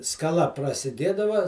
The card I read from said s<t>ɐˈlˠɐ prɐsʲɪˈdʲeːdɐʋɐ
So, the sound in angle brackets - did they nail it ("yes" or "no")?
no